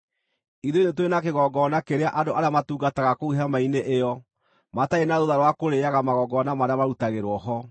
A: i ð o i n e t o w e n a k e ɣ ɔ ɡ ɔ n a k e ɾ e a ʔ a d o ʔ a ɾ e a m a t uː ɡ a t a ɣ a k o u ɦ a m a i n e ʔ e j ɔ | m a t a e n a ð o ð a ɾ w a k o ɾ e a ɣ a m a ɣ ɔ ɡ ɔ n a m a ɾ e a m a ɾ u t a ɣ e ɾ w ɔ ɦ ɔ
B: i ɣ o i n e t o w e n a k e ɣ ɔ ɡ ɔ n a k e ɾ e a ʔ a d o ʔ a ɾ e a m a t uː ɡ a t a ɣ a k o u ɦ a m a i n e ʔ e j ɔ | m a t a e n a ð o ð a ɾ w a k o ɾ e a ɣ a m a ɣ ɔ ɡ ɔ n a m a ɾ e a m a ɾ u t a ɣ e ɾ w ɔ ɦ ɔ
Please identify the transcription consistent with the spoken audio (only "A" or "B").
A